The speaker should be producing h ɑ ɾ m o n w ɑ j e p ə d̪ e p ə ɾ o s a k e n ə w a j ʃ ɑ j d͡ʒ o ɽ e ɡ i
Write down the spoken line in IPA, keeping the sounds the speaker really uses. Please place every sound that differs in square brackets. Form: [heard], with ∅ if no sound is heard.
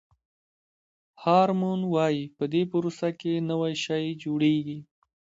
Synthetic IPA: h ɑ ɾ m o n w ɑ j [i] p ə d̪ e p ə ɾ o s a k e n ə w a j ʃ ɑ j d͡ʒ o ɽ e ɡ i